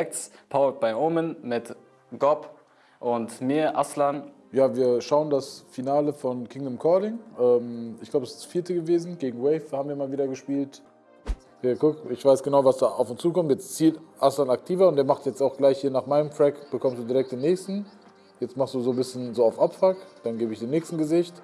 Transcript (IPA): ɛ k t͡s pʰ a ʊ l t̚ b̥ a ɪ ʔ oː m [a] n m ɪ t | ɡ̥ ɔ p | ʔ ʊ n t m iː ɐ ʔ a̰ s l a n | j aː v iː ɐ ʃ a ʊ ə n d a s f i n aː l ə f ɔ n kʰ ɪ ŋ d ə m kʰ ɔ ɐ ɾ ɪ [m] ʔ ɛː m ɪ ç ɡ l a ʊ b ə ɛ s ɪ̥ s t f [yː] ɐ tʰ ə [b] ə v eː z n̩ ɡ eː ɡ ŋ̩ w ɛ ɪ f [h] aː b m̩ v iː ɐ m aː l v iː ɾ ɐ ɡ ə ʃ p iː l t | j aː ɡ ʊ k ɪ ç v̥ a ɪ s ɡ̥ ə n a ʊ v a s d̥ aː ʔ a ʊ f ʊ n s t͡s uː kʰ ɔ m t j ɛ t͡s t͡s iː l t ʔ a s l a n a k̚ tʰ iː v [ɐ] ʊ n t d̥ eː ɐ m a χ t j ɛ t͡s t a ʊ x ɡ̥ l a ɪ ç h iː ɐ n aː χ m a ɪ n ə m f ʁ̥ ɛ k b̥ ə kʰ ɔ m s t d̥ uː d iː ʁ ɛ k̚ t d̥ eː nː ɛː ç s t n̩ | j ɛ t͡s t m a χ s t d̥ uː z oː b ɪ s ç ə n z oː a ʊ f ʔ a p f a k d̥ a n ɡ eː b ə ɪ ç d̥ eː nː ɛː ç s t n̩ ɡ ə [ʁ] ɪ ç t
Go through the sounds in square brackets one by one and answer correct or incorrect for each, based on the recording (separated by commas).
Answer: incorrect, incorrect, incorrect, incorrect, correct, correct, incorrect